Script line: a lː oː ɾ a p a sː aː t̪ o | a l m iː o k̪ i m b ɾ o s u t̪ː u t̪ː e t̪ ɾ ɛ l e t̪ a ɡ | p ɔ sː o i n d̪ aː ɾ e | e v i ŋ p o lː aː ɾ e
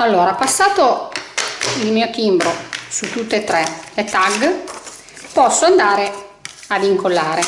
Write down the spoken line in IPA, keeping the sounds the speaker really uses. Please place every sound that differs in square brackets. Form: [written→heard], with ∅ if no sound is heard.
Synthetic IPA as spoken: a lː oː ɾ a p a sː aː t̪ o | [a→i] l m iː o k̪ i m b ɾ o s u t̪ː u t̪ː e t̪ ɾ ɛ l e t̪ a ɡ | p ɔ sː o [i→a] n d̪ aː ɾ e | [e→a] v i ŋ [p→k] o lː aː ɾ e